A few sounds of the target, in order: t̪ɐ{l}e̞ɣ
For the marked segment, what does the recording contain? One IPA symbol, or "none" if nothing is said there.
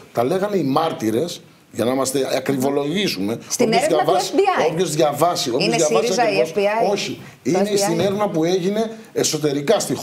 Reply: l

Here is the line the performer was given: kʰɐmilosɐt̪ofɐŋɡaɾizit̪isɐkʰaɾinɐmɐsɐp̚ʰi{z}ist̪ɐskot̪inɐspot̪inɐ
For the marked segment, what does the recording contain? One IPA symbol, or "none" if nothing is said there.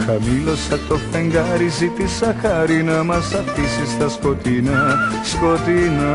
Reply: s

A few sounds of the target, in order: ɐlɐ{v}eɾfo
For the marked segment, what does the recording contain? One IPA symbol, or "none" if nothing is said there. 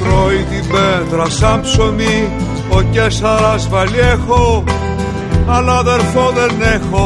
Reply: ð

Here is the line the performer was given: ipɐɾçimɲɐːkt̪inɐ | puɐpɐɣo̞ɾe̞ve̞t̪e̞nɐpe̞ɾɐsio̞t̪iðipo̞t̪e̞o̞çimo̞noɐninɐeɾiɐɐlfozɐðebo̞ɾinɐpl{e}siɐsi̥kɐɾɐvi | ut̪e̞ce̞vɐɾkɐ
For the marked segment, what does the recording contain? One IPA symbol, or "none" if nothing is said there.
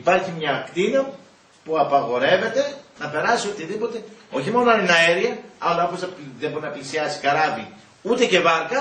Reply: i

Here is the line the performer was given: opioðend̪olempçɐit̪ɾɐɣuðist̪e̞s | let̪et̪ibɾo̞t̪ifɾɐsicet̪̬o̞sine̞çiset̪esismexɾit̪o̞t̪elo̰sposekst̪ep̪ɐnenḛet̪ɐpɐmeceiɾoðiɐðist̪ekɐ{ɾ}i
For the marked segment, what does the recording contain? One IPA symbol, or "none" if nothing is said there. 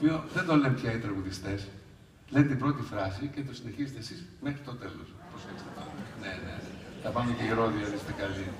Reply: l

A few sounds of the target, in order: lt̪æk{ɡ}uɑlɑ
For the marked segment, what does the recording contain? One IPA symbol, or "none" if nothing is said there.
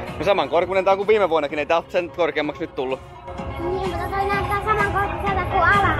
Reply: k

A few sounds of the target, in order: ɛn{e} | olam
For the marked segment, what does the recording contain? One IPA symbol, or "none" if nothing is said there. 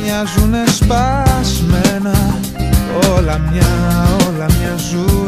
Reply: a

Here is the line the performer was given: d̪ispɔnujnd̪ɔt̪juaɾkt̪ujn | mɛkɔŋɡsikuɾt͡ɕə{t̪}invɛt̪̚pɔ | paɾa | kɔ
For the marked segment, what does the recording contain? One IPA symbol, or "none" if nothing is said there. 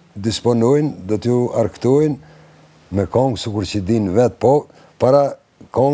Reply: d̪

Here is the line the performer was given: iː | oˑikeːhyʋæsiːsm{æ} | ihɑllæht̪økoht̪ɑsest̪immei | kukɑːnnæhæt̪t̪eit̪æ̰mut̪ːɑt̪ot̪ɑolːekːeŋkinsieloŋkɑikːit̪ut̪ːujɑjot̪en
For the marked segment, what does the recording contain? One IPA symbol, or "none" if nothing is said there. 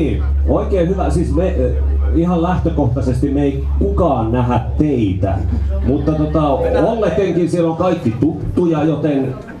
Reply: e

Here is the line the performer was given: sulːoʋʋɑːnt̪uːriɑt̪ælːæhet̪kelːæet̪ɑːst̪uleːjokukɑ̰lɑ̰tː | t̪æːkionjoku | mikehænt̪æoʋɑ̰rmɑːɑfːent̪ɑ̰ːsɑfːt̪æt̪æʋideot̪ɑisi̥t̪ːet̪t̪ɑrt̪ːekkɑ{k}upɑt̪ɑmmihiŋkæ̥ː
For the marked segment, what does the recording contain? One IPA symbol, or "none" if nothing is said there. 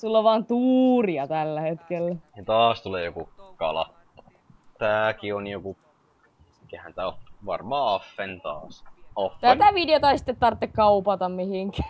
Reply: none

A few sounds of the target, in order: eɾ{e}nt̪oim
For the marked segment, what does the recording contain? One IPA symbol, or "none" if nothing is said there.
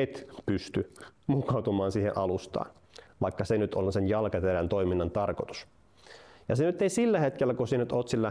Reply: æ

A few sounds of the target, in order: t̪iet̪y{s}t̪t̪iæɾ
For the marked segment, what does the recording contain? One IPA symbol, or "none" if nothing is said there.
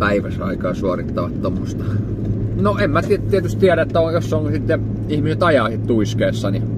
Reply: s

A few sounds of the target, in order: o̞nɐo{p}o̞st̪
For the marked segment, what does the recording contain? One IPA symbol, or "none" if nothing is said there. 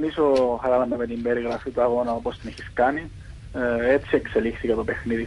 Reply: p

